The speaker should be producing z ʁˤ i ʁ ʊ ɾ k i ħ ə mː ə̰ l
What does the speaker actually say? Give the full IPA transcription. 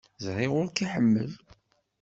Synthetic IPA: z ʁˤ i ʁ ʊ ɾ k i ħ ə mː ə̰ l